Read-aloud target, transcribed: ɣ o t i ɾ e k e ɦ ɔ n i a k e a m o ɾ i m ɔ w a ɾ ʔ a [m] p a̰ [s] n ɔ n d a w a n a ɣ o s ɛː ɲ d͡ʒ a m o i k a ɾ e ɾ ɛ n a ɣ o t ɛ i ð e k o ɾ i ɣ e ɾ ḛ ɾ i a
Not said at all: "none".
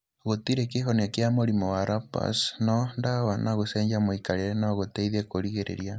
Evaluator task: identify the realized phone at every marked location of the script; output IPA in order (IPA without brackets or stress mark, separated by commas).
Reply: none, s